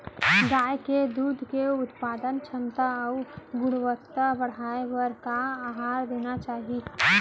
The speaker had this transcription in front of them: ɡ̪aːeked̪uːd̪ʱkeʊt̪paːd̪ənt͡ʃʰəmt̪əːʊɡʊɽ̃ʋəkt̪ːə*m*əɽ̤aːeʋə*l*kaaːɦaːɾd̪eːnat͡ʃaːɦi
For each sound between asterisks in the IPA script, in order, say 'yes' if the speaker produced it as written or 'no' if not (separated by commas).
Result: no, no